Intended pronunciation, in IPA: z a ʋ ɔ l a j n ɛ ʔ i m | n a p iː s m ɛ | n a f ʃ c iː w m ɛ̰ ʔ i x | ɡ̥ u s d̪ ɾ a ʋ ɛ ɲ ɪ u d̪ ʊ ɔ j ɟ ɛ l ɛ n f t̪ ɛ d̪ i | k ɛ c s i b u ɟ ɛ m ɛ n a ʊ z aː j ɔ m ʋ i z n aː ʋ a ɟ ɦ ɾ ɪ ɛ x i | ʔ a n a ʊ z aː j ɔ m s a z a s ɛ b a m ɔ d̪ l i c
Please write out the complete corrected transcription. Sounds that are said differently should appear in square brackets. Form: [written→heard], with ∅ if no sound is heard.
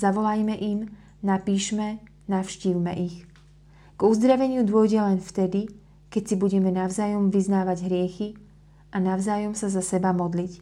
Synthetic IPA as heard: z a ʋ ɔ l a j [n→m] ɛ ʔ i m | n a p iː [s→ʃ] m ɛ | n a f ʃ c iː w m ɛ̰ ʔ i x | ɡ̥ u [s→z] d̪ ɾ a ʋ ɛ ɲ ɪ u d̪ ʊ ɔ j ɟ ɛ l ɛ n f t̪ ɛ d̪ i | k ɛ c s i b u ɟ ɛ m ɛ n a ʊ z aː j ɔ m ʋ i z n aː ʋ a ɟ ɦ ɾ ɪ ɛ x i | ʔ a n a ʊ z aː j ɔ m s a z a s ɛ b a m ɔ d̪ l i c